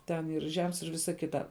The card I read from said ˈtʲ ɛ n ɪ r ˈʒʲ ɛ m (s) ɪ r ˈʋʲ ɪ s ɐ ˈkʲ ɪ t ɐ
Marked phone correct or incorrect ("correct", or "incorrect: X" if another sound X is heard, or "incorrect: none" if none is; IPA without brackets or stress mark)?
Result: correct